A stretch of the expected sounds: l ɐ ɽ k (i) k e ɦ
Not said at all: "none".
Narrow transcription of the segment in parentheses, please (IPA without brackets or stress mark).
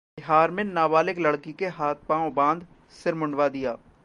i